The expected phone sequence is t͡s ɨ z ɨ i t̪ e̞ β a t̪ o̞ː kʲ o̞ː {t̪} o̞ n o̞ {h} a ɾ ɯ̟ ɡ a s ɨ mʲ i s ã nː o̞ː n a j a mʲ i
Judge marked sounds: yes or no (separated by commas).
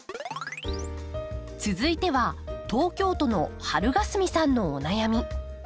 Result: yes, yes